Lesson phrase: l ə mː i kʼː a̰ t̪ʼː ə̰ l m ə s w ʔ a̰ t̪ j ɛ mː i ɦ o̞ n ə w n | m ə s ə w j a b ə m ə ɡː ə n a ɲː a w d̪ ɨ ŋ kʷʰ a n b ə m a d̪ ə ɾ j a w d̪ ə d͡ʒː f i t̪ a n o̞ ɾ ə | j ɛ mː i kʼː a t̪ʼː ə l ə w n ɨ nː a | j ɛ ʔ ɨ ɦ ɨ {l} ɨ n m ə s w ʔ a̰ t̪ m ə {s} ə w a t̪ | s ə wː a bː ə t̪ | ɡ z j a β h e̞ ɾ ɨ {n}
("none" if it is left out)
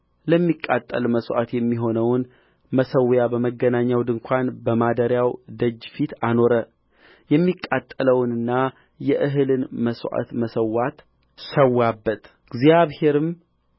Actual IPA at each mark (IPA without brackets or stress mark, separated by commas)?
l, s, m